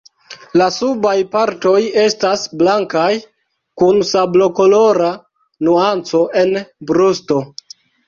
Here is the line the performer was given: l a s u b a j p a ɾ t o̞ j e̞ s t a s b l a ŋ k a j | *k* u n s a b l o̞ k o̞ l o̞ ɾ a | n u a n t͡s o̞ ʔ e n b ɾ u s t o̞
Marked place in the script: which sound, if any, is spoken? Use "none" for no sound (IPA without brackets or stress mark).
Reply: k